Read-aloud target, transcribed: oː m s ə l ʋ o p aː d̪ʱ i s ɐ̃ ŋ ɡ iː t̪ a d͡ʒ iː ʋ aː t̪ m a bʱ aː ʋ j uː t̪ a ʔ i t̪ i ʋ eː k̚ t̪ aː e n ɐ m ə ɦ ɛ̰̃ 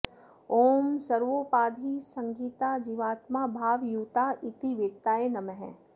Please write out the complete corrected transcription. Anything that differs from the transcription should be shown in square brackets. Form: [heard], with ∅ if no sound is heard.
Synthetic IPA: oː m s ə [ɾ] ʋ o p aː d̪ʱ i s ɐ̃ ŋ ɡ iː t̪ a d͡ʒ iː ʋ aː t̪ m a bʱ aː ʋ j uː t̪ a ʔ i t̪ i ʋ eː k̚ t̪ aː e n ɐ m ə ɦ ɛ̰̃